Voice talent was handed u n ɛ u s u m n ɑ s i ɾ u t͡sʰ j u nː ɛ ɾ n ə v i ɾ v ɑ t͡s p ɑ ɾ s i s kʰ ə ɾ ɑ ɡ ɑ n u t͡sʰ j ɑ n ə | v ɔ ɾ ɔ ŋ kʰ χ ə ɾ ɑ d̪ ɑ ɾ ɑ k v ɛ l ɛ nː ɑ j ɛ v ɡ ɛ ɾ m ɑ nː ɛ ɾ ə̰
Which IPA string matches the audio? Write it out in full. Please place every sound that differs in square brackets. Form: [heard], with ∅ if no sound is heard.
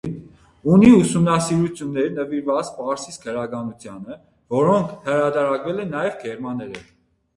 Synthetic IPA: u n [i] u s u m n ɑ s i ɾ u t͡sʰ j u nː ɛ ɾ n ə v i ɾ v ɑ t͡s p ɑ ɾ s i s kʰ ə ɾ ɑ ɡ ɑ n u t͡sʰ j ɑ n ə | v ɔ ɾ ɔ ŋ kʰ [h] ə ɾ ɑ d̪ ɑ ɾ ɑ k v ɛ l ɛ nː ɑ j ɛ v ɡ ɛ ɾ m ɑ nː ɛ ɾ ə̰